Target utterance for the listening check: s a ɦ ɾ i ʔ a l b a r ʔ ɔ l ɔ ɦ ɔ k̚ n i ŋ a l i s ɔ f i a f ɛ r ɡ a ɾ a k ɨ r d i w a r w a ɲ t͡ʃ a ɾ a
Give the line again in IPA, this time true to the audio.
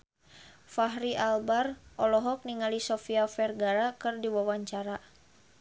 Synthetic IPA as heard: f a ɦ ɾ i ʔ a l b a r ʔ ɔ l ɔ ɦ ɔ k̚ n i ŋ a l i s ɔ f i a f ɛ r ɡ a ɾ a k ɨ r d i w a w a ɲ t͡ʃ a ɾ a